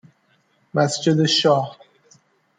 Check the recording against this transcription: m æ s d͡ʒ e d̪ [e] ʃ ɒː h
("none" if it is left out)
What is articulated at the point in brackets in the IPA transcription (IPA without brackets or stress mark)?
e